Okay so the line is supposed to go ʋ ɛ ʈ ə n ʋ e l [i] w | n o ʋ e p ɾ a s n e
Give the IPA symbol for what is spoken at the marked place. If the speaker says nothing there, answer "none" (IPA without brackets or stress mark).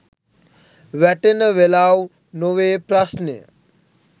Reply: a